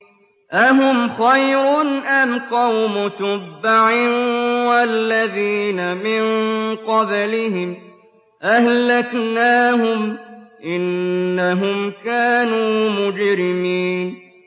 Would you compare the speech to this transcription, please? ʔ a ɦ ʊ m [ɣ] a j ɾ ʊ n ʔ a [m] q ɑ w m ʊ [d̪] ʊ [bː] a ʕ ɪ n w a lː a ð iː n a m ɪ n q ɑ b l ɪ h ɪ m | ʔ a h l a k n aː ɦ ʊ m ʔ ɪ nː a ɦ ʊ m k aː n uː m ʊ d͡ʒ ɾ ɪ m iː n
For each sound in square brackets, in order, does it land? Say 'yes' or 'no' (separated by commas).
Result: no, yes, no, yes